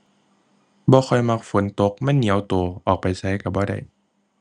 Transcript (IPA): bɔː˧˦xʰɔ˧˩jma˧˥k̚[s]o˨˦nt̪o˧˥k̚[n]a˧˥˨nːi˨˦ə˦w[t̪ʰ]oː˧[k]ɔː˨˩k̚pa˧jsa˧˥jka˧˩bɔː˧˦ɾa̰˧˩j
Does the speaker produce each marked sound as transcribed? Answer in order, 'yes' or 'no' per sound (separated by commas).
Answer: no, no, no, no